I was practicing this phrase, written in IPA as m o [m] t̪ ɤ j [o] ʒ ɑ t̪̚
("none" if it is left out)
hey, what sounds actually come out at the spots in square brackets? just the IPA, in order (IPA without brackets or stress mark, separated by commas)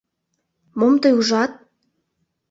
m, u